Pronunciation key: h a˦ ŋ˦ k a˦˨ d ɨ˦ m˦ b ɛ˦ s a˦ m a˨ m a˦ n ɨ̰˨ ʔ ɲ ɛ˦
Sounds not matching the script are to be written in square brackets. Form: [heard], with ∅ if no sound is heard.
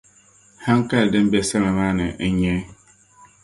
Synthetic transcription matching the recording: h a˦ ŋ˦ k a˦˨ d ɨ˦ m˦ b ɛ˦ s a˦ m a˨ m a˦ n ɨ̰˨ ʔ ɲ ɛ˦